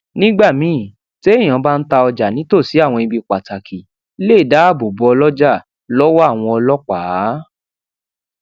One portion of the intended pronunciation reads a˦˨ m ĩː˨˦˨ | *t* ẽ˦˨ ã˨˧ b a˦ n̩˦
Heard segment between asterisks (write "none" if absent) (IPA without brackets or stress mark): t